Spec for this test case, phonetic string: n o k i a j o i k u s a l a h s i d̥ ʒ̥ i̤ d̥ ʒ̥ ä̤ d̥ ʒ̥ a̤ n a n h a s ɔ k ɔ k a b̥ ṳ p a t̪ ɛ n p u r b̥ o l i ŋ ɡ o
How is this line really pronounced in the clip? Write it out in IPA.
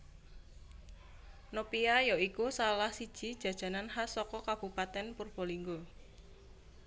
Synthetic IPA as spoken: n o p i a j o i k u s a l a h s i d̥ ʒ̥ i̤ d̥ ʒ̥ ä̤ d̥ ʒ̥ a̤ n a n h a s ɔ k ɔ k a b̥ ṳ p a t̪ ɛ n p u r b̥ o l i ŋ ɡ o